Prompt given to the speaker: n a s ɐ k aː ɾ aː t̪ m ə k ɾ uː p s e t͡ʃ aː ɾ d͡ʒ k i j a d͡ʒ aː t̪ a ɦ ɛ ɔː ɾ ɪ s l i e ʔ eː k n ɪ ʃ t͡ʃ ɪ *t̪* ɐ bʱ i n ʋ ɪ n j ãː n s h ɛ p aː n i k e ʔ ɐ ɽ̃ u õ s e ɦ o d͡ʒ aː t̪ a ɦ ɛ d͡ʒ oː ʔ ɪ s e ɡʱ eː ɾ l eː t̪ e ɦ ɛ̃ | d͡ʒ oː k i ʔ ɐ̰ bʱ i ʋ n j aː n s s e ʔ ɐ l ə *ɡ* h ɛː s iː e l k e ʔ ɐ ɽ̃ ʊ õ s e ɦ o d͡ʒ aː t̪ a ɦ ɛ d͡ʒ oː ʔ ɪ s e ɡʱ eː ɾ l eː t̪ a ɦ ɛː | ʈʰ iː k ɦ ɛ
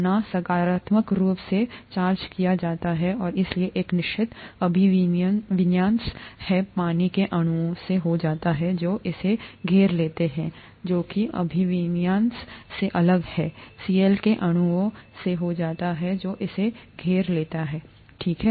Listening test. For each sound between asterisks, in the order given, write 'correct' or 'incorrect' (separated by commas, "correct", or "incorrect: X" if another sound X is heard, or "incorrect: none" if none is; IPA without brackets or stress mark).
correct, correct